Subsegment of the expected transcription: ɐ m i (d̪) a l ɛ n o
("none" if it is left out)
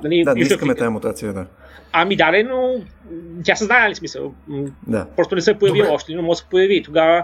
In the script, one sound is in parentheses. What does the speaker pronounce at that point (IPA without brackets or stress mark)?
d̪